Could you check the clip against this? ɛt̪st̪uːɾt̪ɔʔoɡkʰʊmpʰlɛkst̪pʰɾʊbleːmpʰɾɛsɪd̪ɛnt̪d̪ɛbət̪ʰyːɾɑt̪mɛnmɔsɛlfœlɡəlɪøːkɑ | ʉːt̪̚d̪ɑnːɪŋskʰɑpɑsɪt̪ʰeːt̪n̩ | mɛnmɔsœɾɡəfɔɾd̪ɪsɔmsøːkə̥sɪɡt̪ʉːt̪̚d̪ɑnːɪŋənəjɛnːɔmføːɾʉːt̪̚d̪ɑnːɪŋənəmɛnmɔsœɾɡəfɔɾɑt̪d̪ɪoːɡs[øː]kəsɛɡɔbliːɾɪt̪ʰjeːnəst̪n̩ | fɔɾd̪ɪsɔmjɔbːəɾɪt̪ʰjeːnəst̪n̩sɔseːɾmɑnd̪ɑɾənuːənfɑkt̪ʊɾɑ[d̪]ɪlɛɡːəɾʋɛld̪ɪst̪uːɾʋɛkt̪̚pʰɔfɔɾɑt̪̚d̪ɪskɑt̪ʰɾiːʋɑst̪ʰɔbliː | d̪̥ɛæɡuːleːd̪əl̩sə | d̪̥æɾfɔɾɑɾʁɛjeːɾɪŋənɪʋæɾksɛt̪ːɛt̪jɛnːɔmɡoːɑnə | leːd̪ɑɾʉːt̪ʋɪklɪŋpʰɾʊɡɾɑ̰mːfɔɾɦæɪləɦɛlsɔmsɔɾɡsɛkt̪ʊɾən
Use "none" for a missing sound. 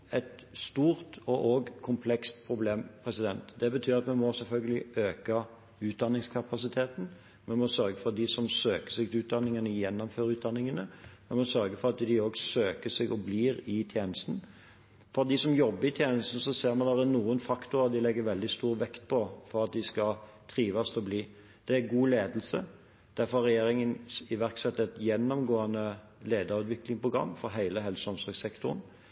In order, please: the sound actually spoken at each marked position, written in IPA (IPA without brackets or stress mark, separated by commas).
øː, d̪